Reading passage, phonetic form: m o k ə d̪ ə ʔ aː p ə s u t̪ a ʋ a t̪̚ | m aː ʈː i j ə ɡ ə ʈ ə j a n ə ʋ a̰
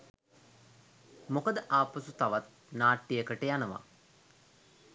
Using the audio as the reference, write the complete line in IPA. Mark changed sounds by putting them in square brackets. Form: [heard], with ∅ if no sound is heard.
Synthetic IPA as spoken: m o k ə d̪ ə ʔ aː p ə s u t̪ a ʋ a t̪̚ | [n] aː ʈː i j ə [k] ə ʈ ə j a n ə ʋ a̰